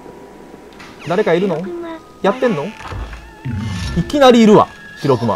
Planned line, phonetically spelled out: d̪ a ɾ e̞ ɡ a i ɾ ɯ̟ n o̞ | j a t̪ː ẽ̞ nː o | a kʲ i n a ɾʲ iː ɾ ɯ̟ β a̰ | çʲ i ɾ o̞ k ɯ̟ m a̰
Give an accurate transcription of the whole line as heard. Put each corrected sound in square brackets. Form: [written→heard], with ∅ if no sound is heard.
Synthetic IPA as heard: d̪ a ɾ e̞ [ɡ→k] a i ɾ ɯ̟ n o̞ | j a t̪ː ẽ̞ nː o | [a→i] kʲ i n a ɾʲ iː ɾ ɯ̟ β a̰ | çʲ i ɾ o̞ k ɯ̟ m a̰

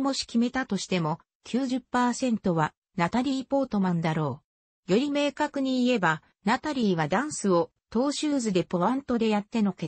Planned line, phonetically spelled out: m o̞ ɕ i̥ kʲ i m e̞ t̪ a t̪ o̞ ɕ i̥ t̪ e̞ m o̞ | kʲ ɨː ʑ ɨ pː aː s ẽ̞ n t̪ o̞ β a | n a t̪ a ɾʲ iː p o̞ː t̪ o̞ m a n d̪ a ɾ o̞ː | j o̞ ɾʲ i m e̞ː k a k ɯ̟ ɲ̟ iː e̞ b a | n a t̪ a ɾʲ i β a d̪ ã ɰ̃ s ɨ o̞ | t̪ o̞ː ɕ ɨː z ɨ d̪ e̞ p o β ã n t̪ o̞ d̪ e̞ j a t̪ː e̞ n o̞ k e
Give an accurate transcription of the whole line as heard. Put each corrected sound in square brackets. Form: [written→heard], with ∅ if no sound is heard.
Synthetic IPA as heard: m o̞ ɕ i̥ kʲ i m e̞ t̪ a t̪ o̞ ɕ i̥ t̪ e̞ m o̞ | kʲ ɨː ʑ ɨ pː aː s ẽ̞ n t̪ o̞ β a | n a t̪ a ɾʲ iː p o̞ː t̪ o̞ m a n d̪ a ɾ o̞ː | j o̞ ɾʲ i m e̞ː k a k ɯ̟ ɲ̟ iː e̞ b a | n a t̪ a ɾʲ [i→iː] β a d̪ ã ɰ̃ s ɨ o̞ | t̪ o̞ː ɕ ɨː z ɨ d̪ e̞ p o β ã n t̪ o̞ d̪ e̞ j a t̪ː e̞ n o̞ k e

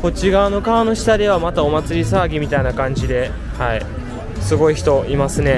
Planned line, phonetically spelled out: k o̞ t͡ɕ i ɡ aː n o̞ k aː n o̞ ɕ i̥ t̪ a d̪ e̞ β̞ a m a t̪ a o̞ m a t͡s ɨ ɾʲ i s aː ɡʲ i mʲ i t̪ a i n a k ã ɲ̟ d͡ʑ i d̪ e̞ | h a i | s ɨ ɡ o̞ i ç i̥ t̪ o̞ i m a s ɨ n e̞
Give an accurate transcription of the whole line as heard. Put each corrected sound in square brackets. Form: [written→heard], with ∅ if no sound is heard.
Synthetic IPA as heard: k o̞ t͡ɕ i ɡ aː n o̞ k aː n o̞ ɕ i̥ t̪ a d̪ e̞ β̞ a m a t̪ a o̞ m a t͡s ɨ ɾʲ i s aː ɡʲ i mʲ i t̪ a i n a k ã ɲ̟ d͡ʑ i d̪ e̞ | h a i | s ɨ ɡ o̞ i ç i̥ t̪ o̞ i m a s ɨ n e̞

